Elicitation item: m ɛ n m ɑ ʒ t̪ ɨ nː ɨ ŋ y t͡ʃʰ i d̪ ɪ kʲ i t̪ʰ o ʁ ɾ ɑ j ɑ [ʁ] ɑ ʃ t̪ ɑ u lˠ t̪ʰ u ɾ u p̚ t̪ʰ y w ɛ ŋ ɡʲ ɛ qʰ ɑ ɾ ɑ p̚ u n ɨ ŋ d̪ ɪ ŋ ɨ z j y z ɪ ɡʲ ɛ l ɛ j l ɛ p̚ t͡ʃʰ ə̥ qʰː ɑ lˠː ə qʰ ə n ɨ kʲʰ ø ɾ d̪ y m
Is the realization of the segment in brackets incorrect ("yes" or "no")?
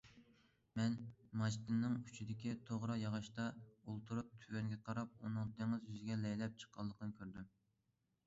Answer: no